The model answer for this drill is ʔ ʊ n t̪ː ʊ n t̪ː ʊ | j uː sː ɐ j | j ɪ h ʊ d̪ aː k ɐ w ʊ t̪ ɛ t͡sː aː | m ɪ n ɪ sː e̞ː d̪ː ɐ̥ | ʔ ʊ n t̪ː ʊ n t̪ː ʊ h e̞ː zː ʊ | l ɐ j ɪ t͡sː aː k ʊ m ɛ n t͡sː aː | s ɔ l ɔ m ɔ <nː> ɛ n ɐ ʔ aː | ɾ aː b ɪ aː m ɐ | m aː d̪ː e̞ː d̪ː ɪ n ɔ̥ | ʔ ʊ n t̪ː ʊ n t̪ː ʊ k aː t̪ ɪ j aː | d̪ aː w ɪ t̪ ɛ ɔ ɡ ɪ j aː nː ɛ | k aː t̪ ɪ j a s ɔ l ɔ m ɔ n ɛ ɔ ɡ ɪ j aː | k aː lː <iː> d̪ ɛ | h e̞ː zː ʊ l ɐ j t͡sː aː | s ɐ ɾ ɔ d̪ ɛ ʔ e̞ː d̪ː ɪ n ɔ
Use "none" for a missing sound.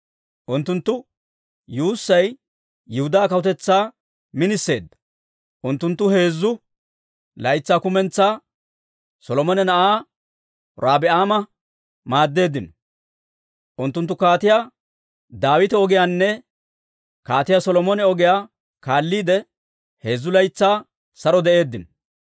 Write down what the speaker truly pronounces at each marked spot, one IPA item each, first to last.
n, iː

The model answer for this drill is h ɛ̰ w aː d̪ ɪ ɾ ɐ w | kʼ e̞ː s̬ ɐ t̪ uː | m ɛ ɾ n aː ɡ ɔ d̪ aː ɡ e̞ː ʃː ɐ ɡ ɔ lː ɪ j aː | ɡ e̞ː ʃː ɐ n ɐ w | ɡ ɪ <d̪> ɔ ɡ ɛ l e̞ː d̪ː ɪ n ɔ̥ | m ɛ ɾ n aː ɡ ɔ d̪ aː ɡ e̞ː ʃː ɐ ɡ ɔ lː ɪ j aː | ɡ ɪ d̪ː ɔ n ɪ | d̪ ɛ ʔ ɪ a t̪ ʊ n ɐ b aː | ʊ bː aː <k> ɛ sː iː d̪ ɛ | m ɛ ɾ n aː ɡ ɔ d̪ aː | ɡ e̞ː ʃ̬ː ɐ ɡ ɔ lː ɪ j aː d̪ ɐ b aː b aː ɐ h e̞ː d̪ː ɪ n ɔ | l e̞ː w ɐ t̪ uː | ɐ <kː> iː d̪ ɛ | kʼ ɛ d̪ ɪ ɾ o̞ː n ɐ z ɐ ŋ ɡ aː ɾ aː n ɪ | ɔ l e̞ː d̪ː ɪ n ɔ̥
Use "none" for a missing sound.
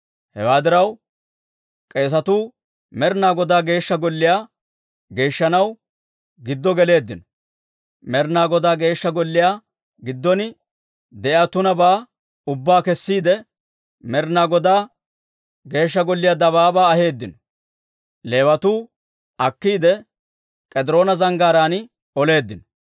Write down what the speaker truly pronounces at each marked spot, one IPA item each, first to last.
d̪ː, k, kː

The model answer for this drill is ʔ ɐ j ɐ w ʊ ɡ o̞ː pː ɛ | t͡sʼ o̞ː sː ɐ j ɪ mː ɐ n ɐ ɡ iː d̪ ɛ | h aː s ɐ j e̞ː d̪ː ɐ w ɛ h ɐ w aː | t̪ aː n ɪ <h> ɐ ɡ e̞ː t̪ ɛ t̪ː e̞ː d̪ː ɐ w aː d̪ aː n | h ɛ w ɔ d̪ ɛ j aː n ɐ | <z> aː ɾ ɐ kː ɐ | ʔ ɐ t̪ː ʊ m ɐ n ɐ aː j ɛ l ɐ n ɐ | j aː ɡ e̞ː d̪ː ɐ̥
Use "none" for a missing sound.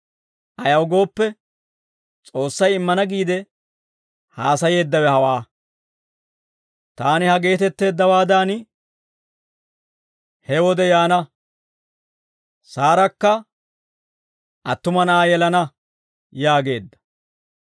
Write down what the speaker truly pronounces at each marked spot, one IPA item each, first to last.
h, s

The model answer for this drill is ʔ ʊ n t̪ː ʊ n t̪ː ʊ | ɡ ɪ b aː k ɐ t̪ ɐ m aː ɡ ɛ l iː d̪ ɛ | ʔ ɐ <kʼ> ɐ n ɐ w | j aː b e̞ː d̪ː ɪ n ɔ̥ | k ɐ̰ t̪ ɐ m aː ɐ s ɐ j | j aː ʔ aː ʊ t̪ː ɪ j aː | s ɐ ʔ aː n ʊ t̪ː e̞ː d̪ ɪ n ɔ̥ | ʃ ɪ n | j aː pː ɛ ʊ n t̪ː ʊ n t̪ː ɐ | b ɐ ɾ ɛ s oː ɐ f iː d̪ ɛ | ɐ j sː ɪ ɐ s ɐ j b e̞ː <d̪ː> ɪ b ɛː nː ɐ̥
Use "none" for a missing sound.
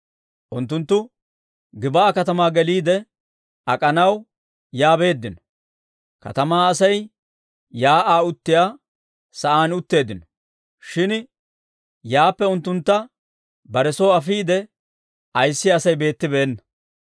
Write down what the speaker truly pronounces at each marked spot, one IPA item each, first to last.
kʼ, t̪ː

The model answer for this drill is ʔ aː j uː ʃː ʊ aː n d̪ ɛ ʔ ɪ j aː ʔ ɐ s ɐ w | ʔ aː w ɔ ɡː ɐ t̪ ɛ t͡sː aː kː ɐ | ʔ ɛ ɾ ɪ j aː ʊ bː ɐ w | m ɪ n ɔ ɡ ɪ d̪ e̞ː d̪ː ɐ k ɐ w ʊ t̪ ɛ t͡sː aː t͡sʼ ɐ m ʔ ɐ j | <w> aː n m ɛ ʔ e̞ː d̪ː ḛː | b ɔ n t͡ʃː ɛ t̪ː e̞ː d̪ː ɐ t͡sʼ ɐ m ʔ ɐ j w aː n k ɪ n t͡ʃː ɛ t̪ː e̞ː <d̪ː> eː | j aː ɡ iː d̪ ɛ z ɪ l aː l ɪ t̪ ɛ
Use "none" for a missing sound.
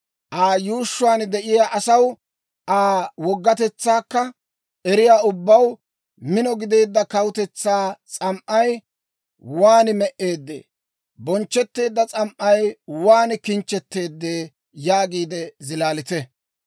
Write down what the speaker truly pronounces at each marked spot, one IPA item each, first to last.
w, d̪ː

